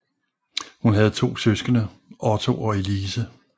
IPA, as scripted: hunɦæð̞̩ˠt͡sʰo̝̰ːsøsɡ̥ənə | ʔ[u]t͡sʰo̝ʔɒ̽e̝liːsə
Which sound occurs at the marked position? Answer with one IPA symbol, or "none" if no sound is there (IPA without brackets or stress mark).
ɒ